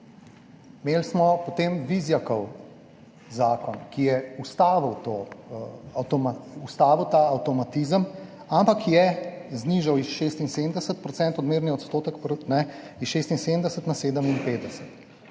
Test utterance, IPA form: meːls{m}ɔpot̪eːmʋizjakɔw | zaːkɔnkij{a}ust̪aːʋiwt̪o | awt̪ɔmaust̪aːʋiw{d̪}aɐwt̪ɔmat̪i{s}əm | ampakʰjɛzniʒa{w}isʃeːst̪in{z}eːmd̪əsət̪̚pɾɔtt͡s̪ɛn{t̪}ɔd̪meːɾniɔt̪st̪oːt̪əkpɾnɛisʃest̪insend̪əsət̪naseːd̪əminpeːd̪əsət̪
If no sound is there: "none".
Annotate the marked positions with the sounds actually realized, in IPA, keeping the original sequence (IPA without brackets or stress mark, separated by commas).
m, ɛ, t̪, z, w, s, t̪